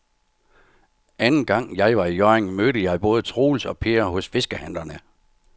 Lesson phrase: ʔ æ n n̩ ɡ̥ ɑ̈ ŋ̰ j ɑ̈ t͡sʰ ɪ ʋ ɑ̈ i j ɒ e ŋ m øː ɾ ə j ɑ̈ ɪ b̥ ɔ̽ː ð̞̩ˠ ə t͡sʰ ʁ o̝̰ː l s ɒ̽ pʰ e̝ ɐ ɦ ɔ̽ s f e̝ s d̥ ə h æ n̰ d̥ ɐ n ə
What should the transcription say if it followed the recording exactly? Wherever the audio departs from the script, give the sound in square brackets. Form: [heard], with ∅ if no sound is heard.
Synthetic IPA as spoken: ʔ æ n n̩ ɡ̥ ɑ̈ ŋ̰ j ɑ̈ [∅] ɪ ʋ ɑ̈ i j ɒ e ŋ m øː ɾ ə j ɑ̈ ɪ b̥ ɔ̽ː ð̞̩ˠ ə t͡sʰ ʁ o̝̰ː l s ɒ̽ pʰ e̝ ɐ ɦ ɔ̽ s f e̝ s [ɡ̥] ə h æ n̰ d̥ ɐ n ə